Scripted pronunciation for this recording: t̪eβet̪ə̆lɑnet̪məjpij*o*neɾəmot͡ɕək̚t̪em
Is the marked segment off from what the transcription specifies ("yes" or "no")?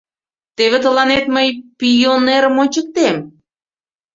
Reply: no